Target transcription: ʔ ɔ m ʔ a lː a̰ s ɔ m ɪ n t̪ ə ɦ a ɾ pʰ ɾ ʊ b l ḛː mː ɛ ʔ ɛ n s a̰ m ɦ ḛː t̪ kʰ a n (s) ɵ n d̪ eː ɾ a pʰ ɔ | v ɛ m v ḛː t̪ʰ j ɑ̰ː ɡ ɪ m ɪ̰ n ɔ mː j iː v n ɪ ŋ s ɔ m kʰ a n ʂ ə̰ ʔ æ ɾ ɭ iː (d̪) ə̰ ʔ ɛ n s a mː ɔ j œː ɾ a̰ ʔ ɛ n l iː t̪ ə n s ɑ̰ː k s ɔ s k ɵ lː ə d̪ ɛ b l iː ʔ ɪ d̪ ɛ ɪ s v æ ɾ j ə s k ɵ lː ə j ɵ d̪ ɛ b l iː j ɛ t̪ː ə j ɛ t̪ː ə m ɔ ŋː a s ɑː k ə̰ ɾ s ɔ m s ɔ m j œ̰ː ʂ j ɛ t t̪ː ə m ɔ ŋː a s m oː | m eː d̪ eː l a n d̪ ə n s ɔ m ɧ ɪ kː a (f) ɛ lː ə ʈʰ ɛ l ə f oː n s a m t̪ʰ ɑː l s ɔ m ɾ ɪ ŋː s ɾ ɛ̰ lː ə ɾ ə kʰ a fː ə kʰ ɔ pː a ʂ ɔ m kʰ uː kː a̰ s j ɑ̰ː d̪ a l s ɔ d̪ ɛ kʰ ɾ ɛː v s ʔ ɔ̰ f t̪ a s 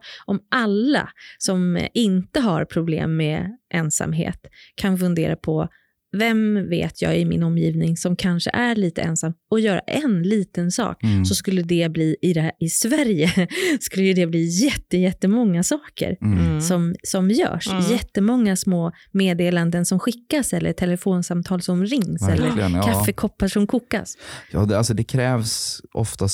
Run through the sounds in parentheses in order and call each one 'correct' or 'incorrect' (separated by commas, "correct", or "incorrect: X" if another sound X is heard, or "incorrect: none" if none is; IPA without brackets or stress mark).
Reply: incorrect: f, incorrect: t̪, incorrect: s